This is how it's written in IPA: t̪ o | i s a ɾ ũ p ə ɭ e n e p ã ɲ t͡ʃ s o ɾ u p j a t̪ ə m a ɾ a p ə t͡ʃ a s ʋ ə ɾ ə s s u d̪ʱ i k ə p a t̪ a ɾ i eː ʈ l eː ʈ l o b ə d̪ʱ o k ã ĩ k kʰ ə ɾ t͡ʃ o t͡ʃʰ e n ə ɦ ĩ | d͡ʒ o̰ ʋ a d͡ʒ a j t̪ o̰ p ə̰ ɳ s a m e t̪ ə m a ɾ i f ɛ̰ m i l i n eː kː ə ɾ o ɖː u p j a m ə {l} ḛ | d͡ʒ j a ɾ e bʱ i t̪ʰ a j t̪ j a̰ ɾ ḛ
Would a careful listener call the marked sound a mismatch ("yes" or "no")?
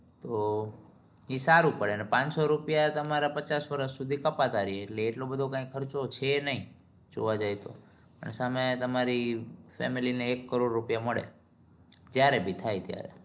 yes